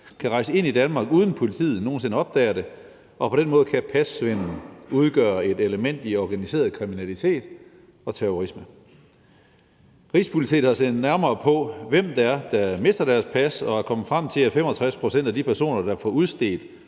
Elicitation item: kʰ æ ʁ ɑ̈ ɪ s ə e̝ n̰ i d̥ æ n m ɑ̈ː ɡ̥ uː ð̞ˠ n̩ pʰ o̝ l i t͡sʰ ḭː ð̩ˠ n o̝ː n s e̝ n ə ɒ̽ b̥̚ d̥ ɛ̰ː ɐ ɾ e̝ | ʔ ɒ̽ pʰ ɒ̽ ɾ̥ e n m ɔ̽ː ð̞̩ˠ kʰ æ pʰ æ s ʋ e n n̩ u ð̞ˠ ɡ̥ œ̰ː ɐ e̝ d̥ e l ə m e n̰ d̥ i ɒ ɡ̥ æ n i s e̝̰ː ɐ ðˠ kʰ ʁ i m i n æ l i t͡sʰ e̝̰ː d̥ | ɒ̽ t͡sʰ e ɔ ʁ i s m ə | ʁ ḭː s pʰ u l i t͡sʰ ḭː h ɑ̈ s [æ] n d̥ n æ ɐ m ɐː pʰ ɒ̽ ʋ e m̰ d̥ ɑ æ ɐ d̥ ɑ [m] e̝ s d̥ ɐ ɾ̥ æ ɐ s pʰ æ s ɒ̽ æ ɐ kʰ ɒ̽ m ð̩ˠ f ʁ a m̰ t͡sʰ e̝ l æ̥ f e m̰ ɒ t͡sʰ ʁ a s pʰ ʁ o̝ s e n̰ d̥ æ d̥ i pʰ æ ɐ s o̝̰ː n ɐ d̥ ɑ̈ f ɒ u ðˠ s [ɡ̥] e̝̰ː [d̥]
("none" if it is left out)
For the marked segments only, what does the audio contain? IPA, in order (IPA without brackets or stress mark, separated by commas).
e, m, d̥, d̥